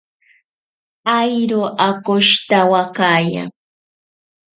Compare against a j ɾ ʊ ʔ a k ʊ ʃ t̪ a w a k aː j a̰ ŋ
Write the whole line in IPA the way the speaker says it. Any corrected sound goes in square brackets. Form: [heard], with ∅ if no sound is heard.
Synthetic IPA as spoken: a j ɾ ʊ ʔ a k ʊ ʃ t̪ a w a k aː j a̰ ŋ